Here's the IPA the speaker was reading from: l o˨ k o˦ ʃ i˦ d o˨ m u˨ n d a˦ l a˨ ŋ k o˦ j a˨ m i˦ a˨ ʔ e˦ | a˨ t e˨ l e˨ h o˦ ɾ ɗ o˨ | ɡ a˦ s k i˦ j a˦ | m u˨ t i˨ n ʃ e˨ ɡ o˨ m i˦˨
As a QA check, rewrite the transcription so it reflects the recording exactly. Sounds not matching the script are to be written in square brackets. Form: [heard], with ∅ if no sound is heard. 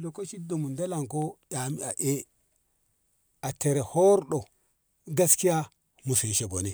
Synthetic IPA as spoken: l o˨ k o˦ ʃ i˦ d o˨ m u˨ n d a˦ l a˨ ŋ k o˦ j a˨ m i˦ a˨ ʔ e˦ | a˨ t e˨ [ɾ] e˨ h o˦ ɾ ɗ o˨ | ɡ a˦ s k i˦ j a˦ | m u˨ [s] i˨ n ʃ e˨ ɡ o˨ [n] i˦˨